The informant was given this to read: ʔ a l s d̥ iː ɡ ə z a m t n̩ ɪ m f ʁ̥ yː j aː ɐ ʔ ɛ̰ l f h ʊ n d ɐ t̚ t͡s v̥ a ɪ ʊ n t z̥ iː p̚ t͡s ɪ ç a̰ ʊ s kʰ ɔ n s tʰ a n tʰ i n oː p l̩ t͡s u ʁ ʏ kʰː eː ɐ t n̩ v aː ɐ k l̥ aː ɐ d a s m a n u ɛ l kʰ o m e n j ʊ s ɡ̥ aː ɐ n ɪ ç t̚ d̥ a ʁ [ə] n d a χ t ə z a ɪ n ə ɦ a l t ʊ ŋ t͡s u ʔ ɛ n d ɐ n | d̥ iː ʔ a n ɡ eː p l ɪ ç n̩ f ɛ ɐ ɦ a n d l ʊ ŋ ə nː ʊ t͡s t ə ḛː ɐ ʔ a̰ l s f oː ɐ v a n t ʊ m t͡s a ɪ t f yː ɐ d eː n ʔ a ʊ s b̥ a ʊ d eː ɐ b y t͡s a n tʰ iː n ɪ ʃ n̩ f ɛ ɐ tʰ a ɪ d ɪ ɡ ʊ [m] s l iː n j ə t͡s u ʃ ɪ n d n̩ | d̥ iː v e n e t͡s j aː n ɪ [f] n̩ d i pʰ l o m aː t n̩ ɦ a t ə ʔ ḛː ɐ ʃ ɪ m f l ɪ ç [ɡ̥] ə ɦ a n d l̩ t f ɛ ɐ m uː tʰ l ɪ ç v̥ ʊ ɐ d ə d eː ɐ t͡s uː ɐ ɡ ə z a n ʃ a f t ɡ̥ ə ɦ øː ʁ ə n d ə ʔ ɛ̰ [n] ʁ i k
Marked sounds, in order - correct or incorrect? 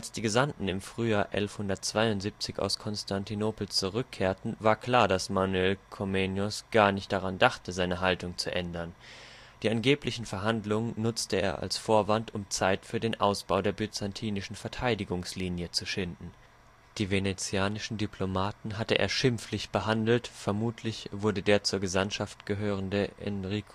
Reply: incorrect: a, incorrect: ŋ, incorrect: ʃ, incorrect: b̥, correct

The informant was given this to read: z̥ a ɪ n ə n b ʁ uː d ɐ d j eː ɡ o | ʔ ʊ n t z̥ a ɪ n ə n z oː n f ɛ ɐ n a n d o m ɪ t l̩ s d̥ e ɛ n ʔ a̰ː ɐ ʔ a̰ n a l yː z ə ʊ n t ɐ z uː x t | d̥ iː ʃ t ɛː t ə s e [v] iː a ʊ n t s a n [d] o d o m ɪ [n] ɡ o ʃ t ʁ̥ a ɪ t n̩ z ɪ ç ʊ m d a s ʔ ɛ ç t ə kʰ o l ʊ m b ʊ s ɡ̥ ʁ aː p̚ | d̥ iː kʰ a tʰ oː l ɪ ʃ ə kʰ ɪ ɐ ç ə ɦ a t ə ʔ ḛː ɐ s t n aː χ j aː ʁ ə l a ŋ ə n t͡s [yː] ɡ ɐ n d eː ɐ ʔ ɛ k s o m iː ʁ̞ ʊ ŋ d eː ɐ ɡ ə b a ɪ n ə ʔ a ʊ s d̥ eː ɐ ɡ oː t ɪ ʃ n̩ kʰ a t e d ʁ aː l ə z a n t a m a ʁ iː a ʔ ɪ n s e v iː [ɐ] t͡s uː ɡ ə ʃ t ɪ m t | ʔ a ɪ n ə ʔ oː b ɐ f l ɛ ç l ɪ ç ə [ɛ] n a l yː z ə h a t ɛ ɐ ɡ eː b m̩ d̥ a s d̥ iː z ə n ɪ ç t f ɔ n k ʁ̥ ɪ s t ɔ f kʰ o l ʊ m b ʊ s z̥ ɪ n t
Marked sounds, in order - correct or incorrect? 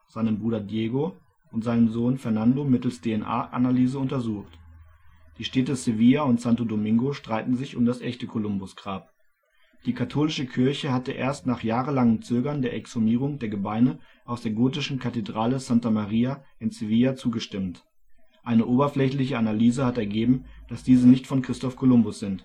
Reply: correct, incorrect: t, incorrect: ŋ, incorrect: øː, incorrect: a, incorrect: a

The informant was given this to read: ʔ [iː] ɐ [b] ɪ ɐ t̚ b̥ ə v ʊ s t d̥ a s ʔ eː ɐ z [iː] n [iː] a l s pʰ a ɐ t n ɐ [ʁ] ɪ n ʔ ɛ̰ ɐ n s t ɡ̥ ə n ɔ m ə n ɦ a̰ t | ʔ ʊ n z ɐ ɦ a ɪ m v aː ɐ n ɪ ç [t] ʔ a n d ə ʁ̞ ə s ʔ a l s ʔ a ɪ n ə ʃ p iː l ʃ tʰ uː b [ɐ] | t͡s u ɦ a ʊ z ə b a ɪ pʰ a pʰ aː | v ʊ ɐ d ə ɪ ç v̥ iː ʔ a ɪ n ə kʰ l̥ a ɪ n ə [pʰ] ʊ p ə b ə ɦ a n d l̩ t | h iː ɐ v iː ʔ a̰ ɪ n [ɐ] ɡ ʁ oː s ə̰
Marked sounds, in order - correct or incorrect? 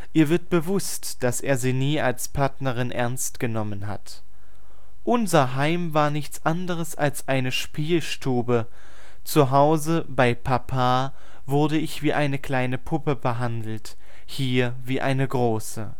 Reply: correct, incorrect: v, correct, correct, correct, incorrect: t͡s, incorrect: ə, correct, incorrect: ə

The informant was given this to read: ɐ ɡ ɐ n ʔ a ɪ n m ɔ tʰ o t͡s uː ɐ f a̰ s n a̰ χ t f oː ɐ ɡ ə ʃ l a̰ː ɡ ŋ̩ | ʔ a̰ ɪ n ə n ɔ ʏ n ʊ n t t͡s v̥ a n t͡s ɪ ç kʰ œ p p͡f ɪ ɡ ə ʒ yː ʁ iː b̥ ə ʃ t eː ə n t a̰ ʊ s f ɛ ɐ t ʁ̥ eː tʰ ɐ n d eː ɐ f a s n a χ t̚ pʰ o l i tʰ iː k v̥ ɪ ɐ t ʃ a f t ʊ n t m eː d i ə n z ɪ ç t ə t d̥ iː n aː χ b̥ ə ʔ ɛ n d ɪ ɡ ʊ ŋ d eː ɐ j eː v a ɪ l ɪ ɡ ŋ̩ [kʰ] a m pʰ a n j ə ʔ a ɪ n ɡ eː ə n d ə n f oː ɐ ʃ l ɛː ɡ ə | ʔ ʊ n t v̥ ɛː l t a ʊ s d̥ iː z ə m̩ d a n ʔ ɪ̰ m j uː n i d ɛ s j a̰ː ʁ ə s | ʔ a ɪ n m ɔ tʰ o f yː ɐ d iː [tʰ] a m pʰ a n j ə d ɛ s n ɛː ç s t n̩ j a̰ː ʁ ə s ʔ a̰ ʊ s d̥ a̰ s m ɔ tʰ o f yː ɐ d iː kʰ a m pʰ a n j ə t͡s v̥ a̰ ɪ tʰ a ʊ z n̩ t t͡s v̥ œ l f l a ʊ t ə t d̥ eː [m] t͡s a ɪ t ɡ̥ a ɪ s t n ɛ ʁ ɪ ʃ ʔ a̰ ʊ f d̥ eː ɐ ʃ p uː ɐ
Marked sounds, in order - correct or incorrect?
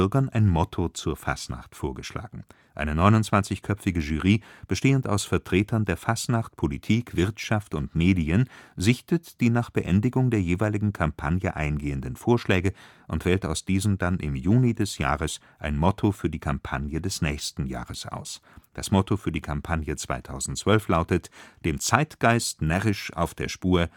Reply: correct, incorrect: kʰ, correct

